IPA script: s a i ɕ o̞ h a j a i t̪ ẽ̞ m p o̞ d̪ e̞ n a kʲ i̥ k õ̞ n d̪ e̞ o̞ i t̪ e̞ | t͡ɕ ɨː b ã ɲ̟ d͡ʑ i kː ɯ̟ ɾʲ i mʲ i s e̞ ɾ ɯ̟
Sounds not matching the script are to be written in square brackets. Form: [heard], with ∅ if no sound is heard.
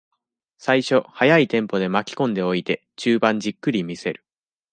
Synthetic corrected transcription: s a i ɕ o̞ h a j a i t̪ ẽ̞ m p o̞ d̪ e̞ [m] a kʲ i̥ k õ̞ n d̪ e̞ o̞ i t̪ e̞ | t͡ɕ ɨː b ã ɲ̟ d͡ʑ i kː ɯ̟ ɾʲ i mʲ i s e̞ ɾ ɯ̟